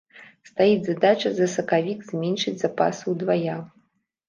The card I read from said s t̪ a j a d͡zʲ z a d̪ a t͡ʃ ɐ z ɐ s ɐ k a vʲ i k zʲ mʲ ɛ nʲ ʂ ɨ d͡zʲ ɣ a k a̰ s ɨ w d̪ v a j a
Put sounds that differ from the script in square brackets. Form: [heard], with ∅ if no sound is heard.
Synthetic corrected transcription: s t̪ a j [i] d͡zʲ z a d̪ a t͡ʃ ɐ z ɐ s ɐ k a vʲ i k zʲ mʲ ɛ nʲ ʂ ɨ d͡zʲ [z] a [p] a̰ s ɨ w d̪ v a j a